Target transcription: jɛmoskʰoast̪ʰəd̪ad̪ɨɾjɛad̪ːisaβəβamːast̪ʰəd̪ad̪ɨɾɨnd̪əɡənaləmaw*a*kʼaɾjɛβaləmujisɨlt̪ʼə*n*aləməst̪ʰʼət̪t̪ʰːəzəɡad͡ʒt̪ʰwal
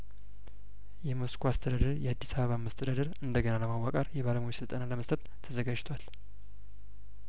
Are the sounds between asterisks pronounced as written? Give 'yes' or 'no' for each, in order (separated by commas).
yes, yes